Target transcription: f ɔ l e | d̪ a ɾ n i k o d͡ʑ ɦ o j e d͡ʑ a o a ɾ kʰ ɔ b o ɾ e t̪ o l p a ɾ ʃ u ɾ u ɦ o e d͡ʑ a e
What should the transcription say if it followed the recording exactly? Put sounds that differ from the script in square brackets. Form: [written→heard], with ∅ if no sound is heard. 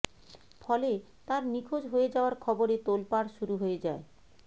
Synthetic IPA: f ɔ l e | [d̪→t̪] a ɾ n i [k→kʰ] o d͡ʑ ɦ o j e d͡ʑ a o a ɾ kʰ ɔ b o ɾ e t̪ o l p a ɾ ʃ u ɾ u ɦ o e d͡ʑ a e